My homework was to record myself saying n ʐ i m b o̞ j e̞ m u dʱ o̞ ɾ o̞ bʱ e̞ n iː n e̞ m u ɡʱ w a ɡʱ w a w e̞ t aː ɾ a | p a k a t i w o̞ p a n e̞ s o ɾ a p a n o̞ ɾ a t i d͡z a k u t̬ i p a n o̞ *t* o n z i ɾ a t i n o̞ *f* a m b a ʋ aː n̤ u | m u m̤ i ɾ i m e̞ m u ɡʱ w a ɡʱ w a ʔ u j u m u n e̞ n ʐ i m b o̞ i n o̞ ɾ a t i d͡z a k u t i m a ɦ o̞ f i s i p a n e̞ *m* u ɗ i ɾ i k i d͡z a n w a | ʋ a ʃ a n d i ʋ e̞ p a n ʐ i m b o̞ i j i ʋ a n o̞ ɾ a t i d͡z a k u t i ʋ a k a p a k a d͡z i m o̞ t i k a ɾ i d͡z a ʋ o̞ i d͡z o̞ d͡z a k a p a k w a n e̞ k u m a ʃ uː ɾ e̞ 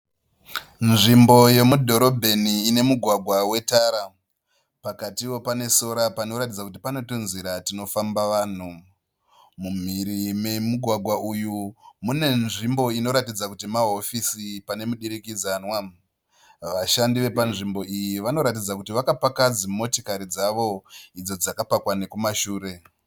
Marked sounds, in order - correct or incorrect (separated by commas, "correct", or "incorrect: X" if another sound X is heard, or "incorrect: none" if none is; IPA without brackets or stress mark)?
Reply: correct, correct, correct